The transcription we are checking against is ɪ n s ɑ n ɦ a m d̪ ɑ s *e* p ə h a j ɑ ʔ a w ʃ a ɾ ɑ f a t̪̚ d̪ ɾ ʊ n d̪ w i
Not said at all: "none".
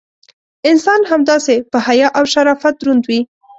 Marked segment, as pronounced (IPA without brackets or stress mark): e